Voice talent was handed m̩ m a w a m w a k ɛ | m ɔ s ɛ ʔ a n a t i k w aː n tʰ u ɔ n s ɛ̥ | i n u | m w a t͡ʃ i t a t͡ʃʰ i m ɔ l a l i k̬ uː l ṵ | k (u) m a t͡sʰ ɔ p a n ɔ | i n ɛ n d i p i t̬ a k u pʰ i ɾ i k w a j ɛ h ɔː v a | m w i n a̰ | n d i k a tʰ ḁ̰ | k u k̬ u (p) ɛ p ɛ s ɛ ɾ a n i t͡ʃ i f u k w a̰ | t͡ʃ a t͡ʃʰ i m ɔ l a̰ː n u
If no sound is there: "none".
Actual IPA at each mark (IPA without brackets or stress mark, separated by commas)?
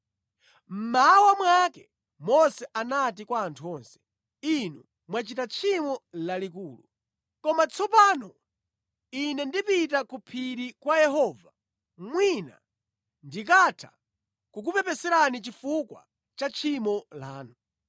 ɔ, p